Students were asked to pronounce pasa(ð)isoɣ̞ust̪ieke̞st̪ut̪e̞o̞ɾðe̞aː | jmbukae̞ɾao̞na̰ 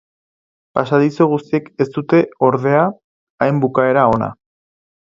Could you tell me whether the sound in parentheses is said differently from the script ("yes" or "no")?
no